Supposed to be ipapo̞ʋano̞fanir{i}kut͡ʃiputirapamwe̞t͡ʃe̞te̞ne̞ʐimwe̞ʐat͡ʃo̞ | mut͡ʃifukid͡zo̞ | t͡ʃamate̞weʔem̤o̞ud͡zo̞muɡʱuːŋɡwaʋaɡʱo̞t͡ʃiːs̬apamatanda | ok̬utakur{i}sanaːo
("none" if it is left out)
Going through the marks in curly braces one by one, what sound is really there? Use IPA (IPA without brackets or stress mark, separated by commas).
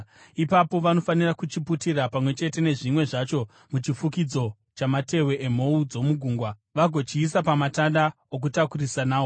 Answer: a, i